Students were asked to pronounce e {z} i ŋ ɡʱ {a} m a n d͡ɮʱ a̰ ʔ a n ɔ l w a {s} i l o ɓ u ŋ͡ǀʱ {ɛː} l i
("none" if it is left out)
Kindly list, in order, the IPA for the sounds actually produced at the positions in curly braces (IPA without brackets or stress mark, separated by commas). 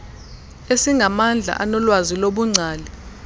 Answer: s, a, z, aː